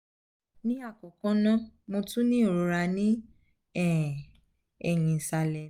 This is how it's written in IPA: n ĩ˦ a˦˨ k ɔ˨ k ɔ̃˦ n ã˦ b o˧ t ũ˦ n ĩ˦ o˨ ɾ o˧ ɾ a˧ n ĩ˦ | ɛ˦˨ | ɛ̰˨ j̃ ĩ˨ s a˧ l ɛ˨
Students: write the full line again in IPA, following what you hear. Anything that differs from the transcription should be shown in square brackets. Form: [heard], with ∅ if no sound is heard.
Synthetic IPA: n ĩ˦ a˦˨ k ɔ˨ k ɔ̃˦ n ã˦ [m] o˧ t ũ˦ n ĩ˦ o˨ ɾ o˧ ɾ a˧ n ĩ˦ | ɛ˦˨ | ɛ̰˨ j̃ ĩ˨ s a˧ l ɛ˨